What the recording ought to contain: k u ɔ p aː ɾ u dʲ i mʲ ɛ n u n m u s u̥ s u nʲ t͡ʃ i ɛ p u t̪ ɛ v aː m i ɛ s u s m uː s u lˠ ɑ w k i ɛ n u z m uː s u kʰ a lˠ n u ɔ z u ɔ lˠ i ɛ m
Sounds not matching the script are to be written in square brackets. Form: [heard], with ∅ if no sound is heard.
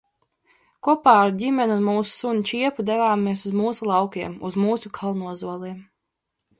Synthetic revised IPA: k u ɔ p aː ɾ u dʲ i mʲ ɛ n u n m [uː] s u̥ s u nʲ t͡ʃ i ɛ p u [d̪] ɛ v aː m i ɛ s u [z] m uː s u lˠ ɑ w k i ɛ [m] u z m uː s u kʰ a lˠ n u ɔ z u ɔ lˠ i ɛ m